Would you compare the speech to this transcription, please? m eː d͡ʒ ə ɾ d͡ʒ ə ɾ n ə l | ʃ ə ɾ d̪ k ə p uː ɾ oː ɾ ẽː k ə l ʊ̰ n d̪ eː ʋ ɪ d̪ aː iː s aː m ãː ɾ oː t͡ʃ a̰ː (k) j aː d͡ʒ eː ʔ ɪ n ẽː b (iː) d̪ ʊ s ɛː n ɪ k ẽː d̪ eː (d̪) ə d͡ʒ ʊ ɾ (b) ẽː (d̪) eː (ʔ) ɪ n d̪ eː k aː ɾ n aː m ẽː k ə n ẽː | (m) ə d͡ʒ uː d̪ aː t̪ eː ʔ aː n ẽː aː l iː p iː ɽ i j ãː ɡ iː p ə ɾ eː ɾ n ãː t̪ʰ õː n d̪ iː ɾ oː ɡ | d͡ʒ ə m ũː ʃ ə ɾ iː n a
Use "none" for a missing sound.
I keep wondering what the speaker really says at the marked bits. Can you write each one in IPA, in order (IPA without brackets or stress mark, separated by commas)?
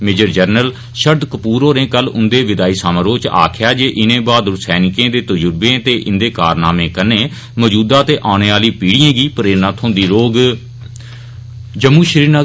kʰ, aː, t̪, b, t̪, ʔ, m